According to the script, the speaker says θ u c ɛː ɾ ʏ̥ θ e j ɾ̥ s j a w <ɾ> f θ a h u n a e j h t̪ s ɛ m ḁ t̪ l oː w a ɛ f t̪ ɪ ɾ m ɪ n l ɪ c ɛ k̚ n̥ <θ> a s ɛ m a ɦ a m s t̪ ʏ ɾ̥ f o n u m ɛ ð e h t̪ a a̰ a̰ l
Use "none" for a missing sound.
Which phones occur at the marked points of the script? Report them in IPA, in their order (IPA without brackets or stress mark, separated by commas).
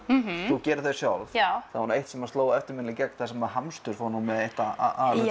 l, θ